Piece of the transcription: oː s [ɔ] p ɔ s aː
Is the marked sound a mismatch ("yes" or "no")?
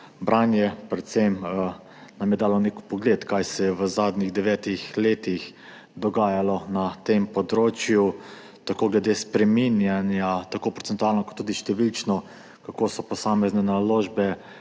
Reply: no